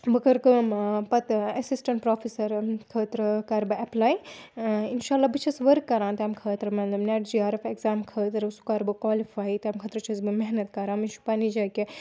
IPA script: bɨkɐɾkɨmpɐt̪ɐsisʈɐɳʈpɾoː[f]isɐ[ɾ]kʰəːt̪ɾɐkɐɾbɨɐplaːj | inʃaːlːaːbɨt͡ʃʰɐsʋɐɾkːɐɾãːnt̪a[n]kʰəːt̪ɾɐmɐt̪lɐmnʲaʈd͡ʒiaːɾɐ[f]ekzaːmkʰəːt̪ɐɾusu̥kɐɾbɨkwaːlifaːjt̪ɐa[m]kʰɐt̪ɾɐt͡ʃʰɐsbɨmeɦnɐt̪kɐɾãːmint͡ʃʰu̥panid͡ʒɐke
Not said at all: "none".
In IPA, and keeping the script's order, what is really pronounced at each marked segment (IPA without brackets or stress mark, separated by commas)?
f, ɾ, m, f, m